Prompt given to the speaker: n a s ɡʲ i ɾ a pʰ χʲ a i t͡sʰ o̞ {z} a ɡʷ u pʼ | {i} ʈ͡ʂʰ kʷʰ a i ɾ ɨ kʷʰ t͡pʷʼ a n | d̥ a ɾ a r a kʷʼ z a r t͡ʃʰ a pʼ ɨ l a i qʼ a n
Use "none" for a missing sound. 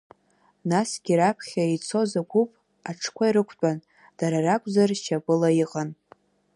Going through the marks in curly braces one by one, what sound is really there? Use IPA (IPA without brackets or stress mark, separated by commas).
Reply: z, a